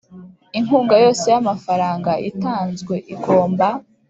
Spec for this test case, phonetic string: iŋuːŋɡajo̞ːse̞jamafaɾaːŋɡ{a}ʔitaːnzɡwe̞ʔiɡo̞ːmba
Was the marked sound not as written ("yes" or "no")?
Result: no